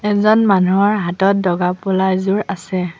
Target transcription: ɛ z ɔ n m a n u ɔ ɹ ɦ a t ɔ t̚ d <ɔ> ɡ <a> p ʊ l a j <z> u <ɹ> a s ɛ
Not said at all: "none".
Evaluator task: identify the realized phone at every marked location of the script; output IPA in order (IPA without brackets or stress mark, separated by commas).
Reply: ɔ, a, z, ɹ